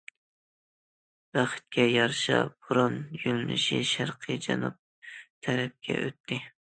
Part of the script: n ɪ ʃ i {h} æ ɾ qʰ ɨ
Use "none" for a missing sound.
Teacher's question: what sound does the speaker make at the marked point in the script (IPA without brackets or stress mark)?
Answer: ʃ